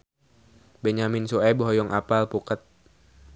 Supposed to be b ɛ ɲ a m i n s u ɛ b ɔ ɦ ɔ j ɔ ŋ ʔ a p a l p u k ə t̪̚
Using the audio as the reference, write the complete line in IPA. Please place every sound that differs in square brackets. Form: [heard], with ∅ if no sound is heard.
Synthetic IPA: b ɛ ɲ a m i n s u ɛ b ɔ ɦ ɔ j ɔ ŋ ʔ a p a l p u k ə t̪̚